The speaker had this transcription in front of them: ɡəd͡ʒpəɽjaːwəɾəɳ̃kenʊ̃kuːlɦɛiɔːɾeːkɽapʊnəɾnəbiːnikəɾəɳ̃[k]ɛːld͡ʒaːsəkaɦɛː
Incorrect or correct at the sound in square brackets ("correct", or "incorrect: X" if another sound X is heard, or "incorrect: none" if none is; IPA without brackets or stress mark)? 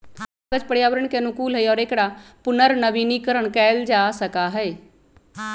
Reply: correct